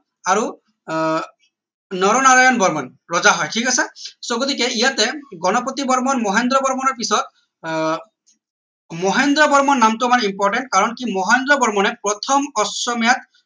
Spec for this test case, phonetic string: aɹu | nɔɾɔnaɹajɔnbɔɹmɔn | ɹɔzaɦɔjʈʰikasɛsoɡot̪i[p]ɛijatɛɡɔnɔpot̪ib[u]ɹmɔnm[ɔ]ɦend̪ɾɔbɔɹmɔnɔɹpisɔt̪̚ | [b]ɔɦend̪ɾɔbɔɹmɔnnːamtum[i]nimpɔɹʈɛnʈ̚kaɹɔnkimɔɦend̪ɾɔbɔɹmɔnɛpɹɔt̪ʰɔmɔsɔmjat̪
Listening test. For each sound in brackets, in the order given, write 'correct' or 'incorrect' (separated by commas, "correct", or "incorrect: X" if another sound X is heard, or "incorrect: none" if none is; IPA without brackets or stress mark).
incorrect: k, incorrect: ɔ, correct, incorrect: m, incorrect: a